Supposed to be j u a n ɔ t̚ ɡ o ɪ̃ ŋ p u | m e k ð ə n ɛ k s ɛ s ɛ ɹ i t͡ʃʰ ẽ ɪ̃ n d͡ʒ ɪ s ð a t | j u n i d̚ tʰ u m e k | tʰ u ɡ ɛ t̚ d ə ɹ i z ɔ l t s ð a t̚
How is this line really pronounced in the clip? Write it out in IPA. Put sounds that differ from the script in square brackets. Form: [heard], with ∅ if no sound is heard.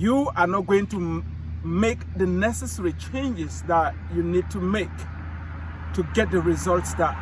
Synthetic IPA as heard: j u a n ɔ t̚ ɡ o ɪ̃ ŋ [t] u | m e k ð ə n ɛ [∅] s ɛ s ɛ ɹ i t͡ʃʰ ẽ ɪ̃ n d͡ʒ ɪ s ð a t | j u n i d̚ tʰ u m e k | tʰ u ɡ ɛ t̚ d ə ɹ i z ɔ l t s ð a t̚